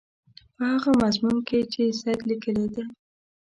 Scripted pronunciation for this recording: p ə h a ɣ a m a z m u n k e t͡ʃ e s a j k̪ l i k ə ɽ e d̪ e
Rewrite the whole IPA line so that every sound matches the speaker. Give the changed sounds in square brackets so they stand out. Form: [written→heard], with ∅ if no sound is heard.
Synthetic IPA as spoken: p ə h a ɣ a m a z m u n k e t͡ʃ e s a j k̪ l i k ə [ɽ→l] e d̪ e